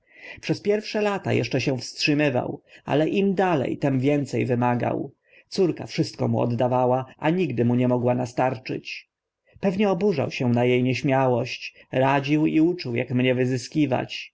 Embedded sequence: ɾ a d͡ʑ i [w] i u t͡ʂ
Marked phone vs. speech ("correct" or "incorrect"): correct